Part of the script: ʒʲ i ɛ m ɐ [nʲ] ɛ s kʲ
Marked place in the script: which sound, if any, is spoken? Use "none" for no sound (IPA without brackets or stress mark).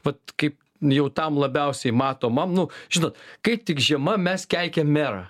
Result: mʲ